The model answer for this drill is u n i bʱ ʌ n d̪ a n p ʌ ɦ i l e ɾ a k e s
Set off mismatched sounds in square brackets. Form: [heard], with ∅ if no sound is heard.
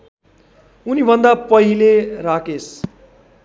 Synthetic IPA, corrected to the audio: u n i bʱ ʌ n d̪ a [∅] p ʌ ɦ i l e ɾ a k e s